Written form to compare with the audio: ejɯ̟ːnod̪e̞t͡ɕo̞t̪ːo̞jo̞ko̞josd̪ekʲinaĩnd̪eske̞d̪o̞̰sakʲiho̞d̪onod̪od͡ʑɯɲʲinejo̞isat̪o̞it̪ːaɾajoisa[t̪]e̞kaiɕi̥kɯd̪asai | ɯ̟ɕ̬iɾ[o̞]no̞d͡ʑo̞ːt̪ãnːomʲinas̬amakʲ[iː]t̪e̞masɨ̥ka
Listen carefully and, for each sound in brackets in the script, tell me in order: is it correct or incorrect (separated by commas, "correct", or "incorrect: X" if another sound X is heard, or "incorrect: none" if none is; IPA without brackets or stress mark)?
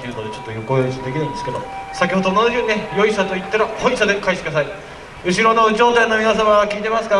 incorrect: d̪, correct, correct